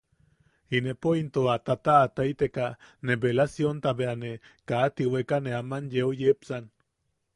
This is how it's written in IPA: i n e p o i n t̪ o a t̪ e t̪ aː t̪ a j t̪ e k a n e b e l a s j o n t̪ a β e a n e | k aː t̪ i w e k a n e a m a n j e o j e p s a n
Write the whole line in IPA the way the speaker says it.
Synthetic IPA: i n e p o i n t̪ o a t̪ a t̪ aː t̪ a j t̪ e k a n e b e l a s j o n t̪ a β e a n e | k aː t̪ i w e k a n e a m a n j e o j e p s a n